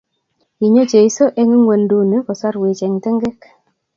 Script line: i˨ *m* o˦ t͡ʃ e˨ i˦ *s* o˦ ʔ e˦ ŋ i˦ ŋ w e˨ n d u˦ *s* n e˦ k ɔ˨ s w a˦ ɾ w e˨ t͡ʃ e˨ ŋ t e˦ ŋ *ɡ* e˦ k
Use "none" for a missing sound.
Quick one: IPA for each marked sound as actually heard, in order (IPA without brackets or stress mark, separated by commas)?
ɲ, s, none, ɡ